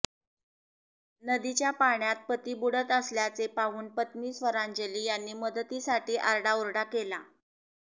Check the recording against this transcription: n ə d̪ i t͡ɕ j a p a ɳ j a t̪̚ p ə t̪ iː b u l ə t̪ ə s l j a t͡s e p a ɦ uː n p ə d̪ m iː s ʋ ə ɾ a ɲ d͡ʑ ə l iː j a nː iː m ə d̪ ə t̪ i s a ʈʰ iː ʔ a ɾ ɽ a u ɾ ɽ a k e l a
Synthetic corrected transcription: n ə d̪ i t͡ɕ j a p a ɳ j a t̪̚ p ə t̪ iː b u ɽ ə t̪ ə s l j a t͡s e p a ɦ uː n p ə t̪ m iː s ʋ ə ɾ a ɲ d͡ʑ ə l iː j a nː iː m ə d̪ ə t̪ i s a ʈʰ iː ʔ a ɾ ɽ a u ɾ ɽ a k e l a